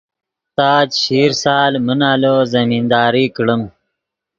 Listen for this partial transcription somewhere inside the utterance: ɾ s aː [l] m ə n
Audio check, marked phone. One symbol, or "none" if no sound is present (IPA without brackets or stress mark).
l